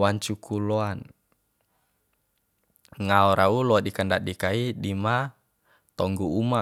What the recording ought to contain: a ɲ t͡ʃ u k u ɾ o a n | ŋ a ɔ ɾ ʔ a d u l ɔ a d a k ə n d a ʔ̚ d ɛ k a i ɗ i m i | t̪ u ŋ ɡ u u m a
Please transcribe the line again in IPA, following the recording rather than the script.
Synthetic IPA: a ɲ t͡ʃ u k u l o a n | ŋ a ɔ ɾ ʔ a u l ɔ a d i k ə n d a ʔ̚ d i k a i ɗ i m a | t̪ ɔ ŋ ɡ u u m a